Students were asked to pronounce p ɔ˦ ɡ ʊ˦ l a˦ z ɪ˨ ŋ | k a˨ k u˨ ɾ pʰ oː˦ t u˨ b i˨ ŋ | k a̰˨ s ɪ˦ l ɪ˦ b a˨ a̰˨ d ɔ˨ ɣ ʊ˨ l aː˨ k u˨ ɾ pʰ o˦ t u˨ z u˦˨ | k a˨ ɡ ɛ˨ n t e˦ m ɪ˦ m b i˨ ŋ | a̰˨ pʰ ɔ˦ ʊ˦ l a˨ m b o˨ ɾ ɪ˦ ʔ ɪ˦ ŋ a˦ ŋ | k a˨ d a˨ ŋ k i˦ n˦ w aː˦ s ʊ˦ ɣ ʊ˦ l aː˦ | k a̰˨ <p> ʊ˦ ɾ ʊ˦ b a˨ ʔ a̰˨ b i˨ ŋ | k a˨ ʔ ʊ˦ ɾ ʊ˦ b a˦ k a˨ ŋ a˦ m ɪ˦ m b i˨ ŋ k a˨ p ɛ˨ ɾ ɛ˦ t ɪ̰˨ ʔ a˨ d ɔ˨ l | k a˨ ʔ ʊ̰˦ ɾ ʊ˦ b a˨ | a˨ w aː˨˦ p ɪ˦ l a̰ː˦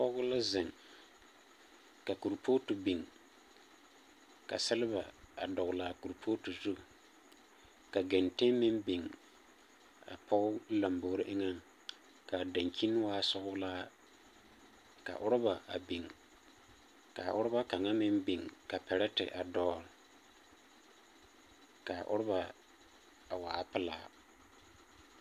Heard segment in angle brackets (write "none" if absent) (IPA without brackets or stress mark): ʔ